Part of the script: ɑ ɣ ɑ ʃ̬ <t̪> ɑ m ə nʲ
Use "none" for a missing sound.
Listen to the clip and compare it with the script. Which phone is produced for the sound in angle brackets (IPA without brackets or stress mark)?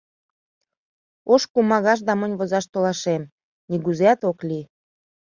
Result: d̪